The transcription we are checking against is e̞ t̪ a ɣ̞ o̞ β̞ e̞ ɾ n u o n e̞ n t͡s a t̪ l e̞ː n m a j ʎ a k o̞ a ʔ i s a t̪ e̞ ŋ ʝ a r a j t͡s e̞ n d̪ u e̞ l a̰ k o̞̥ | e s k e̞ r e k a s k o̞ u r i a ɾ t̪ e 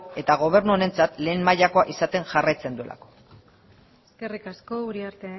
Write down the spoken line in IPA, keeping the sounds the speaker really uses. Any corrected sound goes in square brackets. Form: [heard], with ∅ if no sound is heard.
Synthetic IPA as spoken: e̞ t̪ a ɣ̞ o̞ β̞ e̞ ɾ n u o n e̞ n t͡s a t̪ l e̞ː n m a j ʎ a k o̞ a ʔ i s a t̪ e̞ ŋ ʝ a r a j t͡s e̞ n d̪ u e̞ l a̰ k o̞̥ | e s k e̞ r [i] k a s k o̞ u [ɾ] i a ɾ t̪ e